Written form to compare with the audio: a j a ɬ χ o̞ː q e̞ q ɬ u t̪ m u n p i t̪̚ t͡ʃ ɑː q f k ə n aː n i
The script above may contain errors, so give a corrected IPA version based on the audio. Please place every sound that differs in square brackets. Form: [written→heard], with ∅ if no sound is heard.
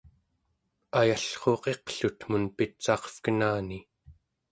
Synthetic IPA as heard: a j a ɬ χ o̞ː q e̞ q ɬ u t̪ m u n p i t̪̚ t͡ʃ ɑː q f k ə n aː n i